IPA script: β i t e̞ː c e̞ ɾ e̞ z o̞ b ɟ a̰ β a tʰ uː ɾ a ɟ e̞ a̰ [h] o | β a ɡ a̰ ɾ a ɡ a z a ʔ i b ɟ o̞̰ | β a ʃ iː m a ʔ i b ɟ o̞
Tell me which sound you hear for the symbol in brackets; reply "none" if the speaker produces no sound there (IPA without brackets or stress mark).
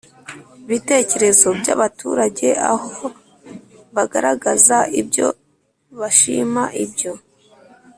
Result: h